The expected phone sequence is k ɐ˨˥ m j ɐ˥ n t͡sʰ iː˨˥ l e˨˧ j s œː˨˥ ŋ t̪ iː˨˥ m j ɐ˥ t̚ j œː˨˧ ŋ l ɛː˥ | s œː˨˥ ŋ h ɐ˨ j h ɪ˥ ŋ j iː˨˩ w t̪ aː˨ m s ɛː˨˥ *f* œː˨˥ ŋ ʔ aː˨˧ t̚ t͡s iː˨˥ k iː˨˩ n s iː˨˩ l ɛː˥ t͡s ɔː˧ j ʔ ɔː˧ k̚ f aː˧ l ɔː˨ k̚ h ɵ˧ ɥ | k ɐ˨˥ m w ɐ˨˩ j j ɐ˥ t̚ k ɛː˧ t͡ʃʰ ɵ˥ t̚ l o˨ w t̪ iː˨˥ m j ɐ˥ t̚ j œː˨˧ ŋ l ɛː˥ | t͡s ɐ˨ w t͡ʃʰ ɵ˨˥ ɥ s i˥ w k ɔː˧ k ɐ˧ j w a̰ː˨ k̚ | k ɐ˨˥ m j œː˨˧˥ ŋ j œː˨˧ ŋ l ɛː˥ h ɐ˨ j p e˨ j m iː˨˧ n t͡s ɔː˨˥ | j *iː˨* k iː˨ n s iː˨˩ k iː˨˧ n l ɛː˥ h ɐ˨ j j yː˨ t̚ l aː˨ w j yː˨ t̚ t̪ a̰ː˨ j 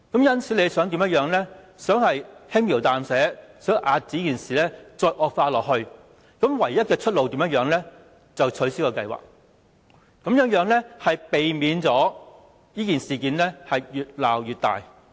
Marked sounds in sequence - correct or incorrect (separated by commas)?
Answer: incorrect, incorrect